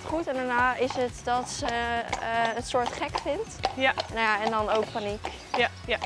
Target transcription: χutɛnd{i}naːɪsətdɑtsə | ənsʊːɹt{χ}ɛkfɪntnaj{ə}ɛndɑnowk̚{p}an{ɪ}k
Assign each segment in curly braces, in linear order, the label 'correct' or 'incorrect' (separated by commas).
incorrect, correct, incorrect, correct, incorrect